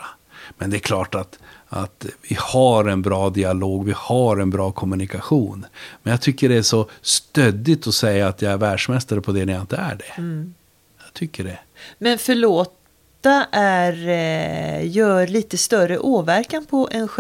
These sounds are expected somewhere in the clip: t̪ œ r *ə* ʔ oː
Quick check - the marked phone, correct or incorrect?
correct